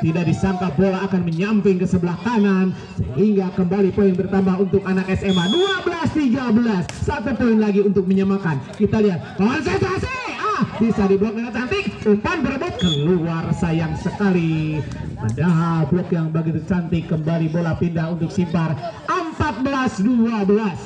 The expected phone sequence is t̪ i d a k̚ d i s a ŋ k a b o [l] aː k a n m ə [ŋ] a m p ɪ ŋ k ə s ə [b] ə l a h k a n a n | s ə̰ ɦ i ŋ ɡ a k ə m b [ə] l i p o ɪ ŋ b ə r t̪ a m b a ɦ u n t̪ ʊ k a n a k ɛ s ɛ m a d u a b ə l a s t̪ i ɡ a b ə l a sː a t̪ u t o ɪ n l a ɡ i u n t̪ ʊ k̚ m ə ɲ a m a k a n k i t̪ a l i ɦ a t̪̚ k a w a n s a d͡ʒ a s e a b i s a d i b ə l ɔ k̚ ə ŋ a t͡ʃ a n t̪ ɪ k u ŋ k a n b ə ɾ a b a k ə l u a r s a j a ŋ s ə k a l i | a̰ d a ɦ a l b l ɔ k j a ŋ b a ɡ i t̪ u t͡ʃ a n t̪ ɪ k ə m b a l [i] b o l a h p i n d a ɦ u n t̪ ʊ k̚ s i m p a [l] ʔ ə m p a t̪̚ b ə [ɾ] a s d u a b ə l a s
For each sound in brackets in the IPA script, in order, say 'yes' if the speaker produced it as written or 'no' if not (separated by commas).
yes, no, yes, no, yes, no, no